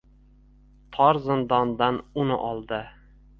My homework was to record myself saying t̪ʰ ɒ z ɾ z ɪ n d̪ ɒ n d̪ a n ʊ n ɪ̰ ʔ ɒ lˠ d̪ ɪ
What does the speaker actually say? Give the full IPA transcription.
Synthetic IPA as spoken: t̪ʰ ɒ ɾ z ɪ n d̪ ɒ n d̪ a n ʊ n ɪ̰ ʔ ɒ lˠ d̪ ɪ